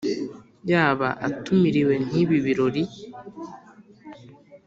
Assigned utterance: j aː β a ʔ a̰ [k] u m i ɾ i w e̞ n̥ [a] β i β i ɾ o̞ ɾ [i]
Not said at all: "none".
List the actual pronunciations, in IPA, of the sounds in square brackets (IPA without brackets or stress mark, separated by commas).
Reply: t, i, i